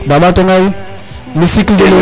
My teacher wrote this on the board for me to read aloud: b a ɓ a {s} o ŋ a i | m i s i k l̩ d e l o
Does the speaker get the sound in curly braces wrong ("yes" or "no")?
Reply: yes